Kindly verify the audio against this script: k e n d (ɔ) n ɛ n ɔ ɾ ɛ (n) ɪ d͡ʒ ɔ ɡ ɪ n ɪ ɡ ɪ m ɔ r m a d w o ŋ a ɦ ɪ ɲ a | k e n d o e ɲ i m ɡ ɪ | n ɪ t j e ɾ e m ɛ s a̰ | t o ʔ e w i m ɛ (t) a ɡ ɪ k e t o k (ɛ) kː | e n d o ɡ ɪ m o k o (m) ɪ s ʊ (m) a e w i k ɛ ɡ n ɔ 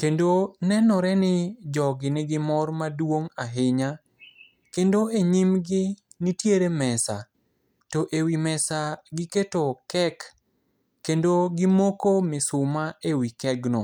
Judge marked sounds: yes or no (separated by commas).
no, yes, no, yes, yes, yes